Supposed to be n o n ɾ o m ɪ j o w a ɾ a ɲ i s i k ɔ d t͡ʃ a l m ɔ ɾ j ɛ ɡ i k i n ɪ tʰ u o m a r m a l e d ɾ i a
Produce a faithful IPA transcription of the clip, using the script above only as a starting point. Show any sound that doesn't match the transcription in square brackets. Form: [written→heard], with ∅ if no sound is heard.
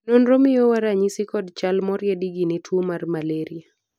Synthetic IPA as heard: n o n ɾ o m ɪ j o w a ɾ a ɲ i s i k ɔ d t͡ʃ a l m ɔ ɾ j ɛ [ɡ→d] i [k→ɡ] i n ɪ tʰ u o m a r m a l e [d→∅] ɾ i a

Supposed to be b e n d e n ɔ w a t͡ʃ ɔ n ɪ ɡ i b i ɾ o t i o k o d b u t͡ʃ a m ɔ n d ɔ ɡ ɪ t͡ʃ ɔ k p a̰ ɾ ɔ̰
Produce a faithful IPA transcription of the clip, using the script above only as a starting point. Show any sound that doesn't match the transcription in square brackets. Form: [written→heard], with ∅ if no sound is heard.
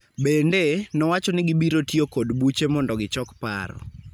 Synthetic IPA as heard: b e n d e n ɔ w a t͡ʃ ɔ n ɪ ɡ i b i ɾ o t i o k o d b u t͡ʃ [a→e] m ɔ n d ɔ ɡ ɪ t͡ʃ ɔ k p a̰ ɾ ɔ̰

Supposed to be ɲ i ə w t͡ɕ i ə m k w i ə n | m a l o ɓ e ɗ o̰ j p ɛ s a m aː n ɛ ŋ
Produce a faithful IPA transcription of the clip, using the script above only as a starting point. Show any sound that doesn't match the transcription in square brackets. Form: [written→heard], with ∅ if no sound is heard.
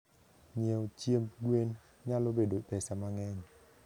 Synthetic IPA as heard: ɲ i ə w t͡ɕ i ə m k w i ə n | [m→ɲ] a l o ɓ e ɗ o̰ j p ɛ s a m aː [n→ŋ] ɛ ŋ

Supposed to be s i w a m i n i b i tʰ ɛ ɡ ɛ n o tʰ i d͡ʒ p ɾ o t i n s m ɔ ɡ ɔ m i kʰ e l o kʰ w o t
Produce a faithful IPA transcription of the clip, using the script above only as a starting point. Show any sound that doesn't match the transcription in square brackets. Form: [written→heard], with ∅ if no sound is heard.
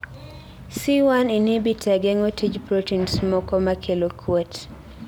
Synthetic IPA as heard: s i w a [m→n] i n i b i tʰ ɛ ɡ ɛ [n→ŋ] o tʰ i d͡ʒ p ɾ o t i n s m ɔ [ɡ→k] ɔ m [i→a] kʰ e l o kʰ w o t

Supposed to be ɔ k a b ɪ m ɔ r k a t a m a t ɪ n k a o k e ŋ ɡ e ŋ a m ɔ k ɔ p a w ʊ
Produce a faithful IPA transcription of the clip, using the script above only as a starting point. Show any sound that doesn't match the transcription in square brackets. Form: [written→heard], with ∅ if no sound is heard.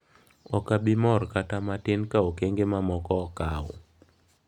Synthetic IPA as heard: ɔ k a b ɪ m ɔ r k a t a m a t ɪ n k a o k e ŋ ɡ e [ŋ→m] a m ɔ k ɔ [p→k] a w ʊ

